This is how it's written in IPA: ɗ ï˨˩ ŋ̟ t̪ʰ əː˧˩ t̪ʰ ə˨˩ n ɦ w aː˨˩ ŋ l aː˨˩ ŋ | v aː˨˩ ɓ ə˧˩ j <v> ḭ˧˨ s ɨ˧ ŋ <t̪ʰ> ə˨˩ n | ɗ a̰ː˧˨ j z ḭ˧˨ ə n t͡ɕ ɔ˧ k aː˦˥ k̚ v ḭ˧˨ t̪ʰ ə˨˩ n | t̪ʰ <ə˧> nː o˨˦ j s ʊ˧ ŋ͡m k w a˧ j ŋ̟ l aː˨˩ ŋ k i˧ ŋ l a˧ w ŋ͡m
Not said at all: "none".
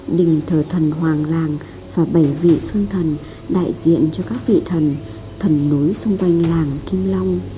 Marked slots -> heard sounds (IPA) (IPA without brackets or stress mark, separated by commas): v, t̪ʰ, ə˨˩